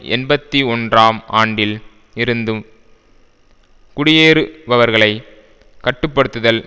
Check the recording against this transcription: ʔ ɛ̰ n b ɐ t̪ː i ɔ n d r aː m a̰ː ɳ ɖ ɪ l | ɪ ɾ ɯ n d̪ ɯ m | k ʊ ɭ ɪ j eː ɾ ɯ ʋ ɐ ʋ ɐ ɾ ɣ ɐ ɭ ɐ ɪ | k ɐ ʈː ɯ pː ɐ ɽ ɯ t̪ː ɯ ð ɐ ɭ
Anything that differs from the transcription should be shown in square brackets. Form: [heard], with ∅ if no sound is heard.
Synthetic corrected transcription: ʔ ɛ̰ n b ɐ t̪ː i ɔ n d r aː m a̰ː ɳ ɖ ɪ l | ɪ ɾ ɯ n d̪ ɯ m | k ʊ [ɽ] ɪ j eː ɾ ɯ ʋ ɐ ʋ ɐ ɾ ɣ ɐ ɭ ɐ ɪ | k ɐ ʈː ɯ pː ɐ ɽ ɯ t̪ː ɯ ð ɐ [l]